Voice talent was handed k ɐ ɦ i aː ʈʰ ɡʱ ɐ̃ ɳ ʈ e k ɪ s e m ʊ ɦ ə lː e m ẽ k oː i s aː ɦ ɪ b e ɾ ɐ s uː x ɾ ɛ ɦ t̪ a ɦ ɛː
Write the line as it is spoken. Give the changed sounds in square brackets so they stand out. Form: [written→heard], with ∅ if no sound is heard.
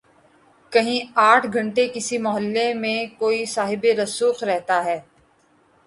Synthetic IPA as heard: k ɐ ɦ [i→ĩ] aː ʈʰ ɡʱ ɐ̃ ɳ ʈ e k ɪ s [e→i] m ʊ ɦ ə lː e m ẽ k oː i s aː ɦ ɪ b e ɾ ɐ s uː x ɾ ɛ ɦ t̪ a ɦ ɛː